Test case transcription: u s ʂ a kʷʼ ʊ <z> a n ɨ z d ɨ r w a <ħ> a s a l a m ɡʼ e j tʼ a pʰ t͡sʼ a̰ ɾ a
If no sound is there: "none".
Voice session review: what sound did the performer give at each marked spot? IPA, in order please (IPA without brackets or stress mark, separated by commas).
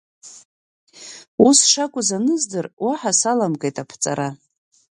z, ħ